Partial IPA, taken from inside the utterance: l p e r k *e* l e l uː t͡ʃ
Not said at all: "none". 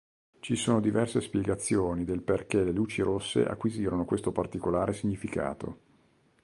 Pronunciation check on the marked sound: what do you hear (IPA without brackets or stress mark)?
e